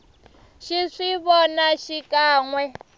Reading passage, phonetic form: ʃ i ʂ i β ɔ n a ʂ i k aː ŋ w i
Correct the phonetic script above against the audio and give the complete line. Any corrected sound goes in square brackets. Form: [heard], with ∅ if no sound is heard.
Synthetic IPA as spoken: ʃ i ʂ i β ɔ n a [ʃ] i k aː ŋ w [ɛ]